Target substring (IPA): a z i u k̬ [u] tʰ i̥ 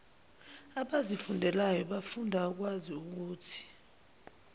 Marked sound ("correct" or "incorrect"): incorrect